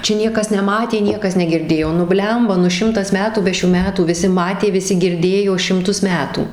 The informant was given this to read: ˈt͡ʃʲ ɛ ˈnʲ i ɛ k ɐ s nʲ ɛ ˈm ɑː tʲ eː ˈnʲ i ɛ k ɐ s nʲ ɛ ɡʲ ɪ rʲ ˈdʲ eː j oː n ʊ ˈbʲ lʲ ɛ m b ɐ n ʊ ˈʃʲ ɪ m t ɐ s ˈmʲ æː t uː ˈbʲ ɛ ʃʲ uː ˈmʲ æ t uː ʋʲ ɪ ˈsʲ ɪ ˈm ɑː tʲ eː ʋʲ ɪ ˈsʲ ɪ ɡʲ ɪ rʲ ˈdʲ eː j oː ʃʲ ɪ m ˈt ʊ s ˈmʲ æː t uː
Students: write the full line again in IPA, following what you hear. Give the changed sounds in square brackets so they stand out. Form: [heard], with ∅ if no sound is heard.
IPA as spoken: ˈt͡ʃʲ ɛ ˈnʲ i ɛ k ɐ s nʲ ɛ ˈm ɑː tʲ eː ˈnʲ i ɛ k ɐ s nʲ ɛ ɡʲ ɪ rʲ ˈdʲ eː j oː n ʊ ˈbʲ lʲ ɛ m b ɐ n ʊ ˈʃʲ ɪ m t ɐ s ˈmʲ æː t uː ˈbʲ ɛ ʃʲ uː ˈmʲ [æː] t uː ʋʲ ɪ ˈsʲ ɪ ˈm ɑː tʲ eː ʋʲ ɪ ˈsʲ ɪ ɡʲ ɪ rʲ ˈdʲ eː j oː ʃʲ ɪ m ˈt ʊ s ˈmʲ æː t uː

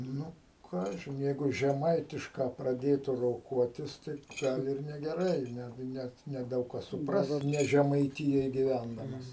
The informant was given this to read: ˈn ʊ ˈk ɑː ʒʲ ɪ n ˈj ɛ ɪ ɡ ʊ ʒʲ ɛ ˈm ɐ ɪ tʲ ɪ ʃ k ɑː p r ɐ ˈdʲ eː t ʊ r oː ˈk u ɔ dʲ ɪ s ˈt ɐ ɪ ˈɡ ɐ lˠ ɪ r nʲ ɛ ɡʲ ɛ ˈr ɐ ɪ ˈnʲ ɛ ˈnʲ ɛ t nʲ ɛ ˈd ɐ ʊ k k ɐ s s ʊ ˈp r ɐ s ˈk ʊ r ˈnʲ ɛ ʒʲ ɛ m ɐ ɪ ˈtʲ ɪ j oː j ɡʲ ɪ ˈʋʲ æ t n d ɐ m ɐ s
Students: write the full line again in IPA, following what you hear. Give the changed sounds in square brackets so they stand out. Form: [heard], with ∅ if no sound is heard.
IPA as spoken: ˈn ʊ ˈk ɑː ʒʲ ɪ n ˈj ɛ ɪ ɡ ʊ ʒʲ ɛ ˈm ɐ ɪ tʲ ɪ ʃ k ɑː p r ɐ ˈdʲ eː t ʊ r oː ˈk u ɔ [tʲ] ɪ s ˈt ɐ ɪ ˈɡ ɐ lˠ ɪ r nʲ ɛ ɡʲ ɛ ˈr ɐ ɪ ˈnʲ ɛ ˈnʲ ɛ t nʲ ɛ ˈd ɐ ʊ k k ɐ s s ʊ ˈp r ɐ s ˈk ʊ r ˈnʲ ɛ ʒʲ ɛ m ɐ ɪ ˈtʲ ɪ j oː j ɡʲ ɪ ˈʋʲ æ [∅] n d ɐ m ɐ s

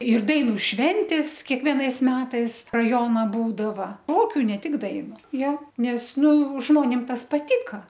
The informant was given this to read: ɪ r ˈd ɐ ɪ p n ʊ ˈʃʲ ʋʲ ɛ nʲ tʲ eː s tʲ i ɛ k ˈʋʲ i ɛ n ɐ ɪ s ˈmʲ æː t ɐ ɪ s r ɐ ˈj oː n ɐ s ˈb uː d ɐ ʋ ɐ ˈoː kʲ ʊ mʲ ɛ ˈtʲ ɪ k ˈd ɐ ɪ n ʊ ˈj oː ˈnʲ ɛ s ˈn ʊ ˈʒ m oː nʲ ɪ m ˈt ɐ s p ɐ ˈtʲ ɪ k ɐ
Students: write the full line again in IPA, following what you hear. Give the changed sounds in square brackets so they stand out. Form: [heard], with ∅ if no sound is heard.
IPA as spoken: ɪ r ˈd ɐ ɪ [∅] n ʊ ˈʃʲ ʋʲ ɛ nʲ tʲ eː s [kʲ] i ɛ k ˈʋʲ i ɛ n ɐ ɪ s ˈmʲ æː t ɐ ɪ s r ɐ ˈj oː n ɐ [∅] ˈb uː d ɐ ʋ ɐ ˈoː kʲ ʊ [nʲ] ɛ ˈtʲ ɪ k ˈd ɐ ɪ n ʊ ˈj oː ˈnʲ ɛ s ˈn ʊ ˈʒ m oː nʲ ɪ m ˈt ɐ s p ɐ ˈtʲ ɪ k ɐ

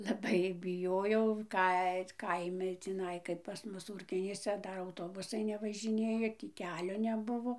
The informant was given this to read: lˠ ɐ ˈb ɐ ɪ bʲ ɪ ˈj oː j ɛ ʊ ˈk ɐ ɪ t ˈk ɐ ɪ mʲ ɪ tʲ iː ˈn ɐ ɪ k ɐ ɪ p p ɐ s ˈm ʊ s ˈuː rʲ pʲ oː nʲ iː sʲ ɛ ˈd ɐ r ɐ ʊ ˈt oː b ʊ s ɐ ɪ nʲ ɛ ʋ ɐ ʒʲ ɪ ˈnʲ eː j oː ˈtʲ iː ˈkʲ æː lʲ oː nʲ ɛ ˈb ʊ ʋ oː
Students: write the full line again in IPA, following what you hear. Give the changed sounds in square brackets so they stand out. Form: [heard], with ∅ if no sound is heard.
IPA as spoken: lˠ ɐ ˈb ɐ ɪ bʲ ɪ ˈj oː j ɛ ʊ ˈk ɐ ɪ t ˈk ɐ ɪ mʲ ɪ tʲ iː ˈn ɐ ɪ k ɐ ɪ p p ɐ s ˈm ʊ s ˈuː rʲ [kʲ] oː nʲ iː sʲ ɛ ˈd ɐ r ɐ ʊ ˈt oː b ʊ s ɐ ɪ nʲ ɛ ʋ ɐ ʒʲ ɪ ˈnʲ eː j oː ˈtʲ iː ˈkʲ æː lʲ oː nʲ ɛ ˈb ʊ ʋ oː

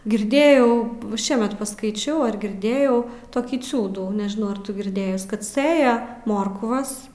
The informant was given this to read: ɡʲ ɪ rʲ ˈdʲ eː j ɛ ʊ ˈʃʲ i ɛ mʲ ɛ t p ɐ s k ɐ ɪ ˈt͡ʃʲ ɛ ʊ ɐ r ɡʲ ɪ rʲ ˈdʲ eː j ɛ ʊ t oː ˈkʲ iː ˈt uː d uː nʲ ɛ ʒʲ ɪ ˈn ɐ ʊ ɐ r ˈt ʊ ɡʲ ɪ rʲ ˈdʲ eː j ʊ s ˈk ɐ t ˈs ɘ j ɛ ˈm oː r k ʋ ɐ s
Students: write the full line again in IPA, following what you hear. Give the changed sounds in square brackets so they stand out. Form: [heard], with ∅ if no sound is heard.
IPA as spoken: ɡʲ ɪ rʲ ˈdʲ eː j ɛ ʊ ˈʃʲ i ɛ mʲ ɛ t p ɐ s k ɐ ɪ ˈt͡ʃʲ ɛ ʊ ɐ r ɡʲ ɪ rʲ ˈdʲ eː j ɛ ʊ t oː ˈkʲ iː [ˈt͡sʲ] uː d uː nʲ ɛ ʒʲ ɪ ˈn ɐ ʊ ɐ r ˈt ʊ ɡʲ ɪ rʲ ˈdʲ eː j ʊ s ˈk ɐ t ˈs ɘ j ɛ ˈm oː r k ʋ ɐ s

